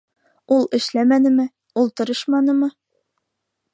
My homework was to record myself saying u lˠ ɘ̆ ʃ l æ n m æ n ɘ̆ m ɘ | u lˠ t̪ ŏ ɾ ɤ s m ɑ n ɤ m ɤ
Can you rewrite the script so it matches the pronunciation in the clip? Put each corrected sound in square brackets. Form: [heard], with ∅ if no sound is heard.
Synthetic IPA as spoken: u lˠ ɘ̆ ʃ l æ [∅] m æ n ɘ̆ m ɘ | u lˠ t̪ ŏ ɾ ɤ [ʃ] m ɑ n ɤ m ɤ